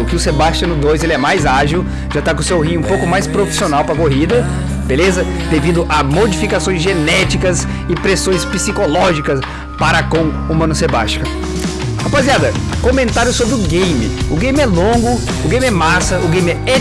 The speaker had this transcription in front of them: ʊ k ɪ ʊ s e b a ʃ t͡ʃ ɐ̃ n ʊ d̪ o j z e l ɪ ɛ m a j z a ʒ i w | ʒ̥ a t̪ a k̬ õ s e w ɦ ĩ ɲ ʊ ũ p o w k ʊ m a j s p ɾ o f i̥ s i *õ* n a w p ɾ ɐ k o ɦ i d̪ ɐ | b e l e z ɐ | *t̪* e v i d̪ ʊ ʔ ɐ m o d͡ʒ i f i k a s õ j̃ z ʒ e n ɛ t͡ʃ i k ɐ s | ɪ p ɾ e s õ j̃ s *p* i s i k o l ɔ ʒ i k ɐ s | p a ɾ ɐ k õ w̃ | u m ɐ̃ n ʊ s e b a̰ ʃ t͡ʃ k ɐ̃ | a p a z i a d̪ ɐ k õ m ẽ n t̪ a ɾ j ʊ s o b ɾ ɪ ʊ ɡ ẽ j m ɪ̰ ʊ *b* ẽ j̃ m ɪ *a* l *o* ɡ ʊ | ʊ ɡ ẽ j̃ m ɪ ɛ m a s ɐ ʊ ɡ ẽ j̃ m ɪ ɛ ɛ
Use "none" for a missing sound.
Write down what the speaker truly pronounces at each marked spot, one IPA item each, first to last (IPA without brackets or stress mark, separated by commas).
o, d̪, p, ɡ, ɛ, õ